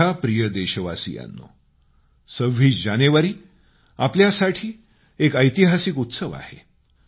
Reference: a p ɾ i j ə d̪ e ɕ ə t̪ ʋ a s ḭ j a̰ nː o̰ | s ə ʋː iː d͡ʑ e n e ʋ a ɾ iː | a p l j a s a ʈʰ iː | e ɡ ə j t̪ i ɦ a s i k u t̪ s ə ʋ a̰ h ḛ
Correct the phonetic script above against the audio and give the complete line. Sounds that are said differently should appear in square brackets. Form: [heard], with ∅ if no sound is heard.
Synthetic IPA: a p ɾ i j ə d̪ e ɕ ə [∅] ʋ a s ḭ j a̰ nː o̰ | s ə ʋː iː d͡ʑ [a] n e ʋ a ɾ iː | a p l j a s a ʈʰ iː | e [k] ə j t̪ i ɦ a s i k u t̪ s ə ʋ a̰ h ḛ